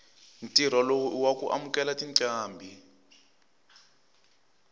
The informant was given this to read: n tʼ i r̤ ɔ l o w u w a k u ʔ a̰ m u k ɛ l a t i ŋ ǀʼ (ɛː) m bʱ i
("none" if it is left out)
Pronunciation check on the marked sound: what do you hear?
aː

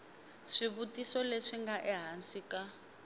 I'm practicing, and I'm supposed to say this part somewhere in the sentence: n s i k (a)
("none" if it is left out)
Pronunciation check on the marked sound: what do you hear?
a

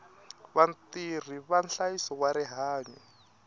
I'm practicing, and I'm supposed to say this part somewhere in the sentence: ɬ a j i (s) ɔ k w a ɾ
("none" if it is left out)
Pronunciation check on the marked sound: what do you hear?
s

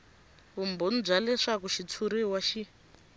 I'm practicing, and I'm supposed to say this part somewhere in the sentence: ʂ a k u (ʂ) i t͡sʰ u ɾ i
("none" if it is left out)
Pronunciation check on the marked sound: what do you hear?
ʃ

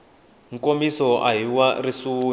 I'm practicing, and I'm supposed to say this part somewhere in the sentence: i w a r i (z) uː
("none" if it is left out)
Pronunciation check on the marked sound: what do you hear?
s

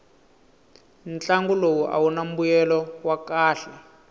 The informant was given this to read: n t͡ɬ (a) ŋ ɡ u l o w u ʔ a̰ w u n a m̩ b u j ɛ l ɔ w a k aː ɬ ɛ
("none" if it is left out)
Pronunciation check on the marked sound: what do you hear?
a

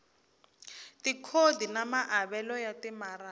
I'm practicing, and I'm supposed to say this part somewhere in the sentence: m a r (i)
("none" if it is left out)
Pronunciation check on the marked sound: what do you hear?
a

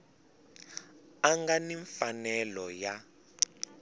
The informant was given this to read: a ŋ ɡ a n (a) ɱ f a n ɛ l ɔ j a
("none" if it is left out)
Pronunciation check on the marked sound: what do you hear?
i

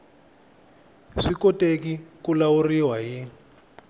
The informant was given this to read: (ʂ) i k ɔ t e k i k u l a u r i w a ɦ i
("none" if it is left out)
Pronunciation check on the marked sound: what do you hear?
ʂ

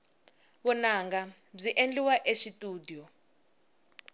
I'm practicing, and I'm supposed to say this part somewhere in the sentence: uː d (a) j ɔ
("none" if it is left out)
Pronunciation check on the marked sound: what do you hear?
i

